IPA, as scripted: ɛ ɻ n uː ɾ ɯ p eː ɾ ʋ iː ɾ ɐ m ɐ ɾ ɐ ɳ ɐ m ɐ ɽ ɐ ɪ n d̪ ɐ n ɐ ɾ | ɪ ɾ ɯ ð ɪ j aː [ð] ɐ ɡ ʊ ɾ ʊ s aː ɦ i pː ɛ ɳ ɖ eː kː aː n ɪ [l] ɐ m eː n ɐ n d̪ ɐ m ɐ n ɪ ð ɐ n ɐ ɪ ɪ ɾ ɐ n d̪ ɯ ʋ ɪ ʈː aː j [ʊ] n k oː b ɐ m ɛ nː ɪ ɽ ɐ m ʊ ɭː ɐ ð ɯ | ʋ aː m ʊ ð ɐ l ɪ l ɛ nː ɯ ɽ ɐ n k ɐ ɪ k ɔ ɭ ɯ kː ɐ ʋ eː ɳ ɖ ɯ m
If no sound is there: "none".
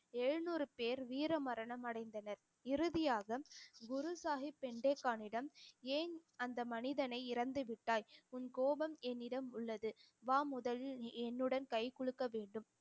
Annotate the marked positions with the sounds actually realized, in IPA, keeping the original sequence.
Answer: ɣ, ɽ, ʊ

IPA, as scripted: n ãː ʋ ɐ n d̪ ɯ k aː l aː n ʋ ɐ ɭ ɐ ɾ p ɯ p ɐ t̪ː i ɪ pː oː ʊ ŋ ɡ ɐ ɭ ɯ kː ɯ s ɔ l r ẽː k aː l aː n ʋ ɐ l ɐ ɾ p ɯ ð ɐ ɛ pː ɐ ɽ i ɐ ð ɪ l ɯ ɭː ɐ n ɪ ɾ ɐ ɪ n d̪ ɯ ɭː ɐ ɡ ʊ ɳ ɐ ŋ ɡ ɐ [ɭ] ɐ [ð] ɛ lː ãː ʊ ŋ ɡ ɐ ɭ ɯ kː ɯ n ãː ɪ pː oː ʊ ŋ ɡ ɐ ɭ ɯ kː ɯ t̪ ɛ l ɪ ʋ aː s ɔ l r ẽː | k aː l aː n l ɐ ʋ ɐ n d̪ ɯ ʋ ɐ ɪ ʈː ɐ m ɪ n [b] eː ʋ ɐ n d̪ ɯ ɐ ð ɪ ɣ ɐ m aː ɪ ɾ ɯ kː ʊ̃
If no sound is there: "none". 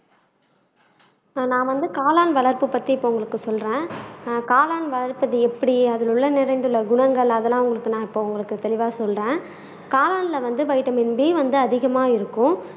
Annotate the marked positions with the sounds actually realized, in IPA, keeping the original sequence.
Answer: ɭ, ð, b

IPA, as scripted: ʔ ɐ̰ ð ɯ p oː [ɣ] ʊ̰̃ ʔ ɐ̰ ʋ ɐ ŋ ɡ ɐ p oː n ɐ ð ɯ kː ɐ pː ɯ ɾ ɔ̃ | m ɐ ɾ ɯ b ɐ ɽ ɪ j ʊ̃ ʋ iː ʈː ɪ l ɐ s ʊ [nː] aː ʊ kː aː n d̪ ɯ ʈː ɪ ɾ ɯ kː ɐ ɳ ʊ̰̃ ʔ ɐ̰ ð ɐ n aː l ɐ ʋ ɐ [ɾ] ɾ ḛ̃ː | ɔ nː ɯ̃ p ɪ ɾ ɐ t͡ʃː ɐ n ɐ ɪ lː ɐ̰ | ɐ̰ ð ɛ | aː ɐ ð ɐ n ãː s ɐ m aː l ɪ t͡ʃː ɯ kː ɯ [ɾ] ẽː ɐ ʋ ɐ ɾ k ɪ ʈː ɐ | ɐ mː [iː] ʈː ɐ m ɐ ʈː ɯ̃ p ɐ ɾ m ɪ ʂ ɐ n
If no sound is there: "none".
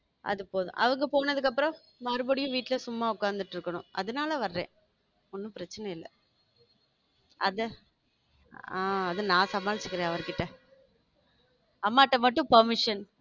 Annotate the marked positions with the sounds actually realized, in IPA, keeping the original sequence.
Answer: ð, mː, ɾ, ɾ, aː

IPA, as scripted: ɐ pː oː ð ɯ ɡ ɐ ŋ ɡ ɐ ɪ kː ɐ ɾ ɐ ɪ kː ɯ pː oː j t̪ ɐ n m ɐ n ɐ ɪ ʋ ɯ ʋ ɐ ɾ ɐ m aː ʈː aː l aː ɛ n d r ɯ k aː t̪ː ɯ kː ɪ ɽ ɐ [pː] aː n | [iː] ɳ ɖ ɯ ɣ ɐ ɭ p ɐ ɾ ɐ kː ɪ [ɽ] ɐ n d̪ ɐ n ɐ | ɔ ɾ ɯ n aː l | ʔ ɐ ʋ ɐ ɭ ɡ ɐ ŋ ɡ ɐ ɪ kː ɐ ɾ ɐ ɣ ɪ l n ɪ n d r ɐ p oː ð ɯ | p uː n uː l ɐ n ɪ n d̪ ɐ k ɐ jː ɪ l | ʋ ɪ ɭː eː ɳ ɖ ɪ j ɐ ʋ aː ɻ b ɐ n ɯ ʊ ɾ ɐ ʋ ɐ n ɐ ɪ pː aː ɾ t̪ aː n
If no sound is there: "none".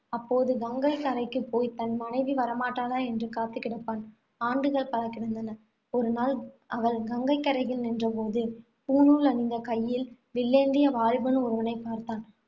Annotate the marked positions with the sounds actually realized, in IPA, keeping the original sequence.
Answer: pː, aː, ɽ

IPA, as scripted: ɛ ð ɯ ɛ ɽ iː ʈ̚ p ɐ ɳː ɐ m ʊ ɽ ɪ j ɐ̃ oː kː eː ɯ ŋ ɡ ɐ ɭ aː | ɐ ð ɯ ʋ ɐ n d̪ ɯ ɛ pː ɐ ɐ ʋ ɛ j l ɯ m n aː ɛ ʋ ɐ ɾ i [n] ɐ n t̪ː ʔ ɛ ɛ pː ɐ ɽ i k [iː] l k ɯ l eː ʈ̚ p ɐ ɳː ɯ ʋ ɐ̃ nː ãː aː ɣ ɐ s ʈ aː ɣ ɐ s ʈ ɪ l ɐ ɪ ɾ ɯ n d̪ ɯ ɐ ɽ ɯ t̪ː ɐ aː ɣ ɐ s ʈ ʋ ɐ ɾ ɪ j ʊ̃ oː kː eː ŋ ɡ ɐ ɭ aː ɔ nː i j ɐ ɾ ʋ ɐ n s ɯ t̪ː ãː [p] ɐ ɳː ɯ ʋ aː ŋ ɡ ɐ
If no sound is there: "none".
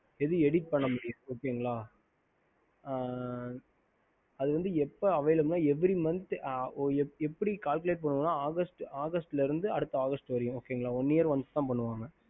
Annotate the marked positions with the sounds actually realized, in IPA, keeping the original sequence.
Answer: m, aː, p

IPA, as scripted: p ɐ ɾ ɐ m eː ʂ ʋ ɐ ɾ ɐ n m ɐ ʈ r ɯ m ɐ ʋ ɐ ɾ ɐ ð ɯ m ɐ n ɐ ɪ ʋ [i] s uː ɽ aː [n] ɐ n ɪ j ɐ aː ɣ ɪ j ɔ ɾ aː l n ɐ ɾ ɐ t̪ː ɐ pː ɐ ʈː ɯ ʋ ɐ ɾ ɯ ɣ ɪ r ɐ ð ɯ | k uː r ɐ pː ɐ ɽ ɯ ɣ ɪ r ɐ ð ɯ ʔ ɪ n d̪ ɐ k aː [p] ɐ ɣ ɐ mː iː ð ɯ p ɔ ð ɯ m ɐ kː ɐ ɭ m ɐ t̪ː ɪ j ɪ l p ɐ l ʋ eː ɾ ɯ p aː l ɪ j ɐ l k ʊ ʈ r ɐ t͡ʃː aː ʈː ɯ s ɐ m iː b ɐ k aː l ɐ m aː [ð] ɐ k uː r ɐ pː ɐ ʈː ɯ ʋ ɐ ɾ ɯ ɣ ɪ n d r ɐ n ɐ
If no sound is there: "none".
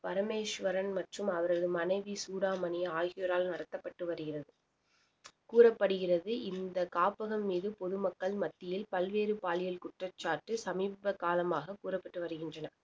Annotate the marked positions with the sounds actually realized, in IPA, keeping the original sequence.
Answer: i, m, p, ɣ

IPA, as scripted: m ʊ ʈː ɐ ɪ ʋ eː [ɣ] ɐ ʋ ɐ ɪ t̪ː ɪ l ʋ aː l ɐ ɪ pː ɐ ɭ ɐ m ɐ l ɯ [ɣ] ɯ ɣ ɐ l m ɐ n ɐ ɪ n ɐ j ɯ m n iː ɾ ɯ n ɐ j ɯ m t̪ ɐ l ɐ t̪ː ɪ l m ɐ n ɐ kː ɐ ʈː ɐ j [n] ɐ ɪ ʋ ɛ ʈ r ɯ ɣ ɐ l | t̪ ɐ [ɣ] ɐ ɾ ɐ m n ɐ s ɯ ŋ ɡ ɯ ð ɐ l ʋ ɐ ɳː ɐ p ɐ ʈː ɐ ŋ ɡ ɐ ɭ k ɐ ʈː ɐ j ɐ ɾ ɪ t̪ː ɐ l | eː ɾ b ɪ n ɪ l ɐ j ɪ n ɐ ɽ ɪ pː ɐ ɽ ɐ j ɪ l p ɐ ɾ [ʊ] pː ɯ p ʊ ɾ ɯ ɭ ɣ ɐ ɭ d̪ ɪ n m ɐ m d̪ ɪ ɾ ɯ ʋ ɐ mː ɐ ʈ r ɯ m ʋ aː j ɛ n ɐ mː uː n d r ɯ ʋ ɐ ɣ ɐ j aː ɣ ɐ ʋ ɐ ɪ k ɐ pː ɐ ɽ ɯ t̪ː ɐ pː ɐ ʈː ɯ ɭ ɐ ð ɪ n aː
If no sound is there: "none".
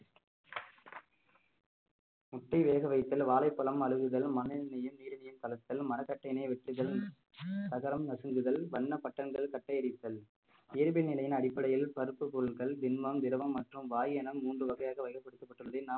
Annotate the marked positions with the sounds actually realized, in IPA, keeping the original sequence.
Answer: ɣ, ɣ, n, ɣ, ɯ

